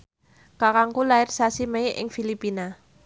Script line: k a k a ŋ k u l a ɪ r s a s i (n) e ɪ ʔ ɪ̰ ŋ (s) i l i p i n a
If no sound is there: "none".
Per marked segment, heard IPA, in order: m, f

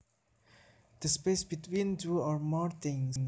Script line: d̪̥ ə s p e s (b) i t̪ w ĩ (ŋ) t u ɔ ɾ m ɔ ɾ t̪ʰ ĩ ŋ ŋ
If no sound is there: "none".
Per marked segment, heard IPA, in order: b, n

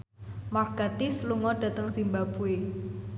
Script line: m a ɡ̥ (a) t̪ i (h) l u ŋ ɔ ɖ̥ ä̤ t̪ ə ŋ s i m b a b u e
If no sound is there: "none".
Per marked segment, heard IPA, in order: a, s

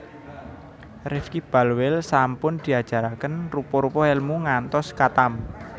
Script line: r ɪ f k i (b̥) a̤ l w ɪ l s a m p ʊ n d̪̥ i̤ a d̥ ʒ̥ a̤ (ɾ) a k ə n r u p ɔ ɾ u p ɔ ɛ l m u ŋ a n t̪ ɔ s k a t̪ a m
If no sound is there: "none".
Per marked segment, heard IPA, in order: b̥, ɾ

